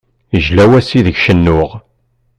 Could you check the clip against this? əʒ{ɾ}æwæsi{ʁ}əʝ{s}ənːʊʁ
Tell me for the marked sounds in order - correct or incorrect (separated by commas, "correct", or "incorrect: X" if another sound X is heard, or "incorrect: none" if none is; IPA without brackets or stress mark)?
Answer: incorrect: l, incorrect: ð, incorrect: ʃ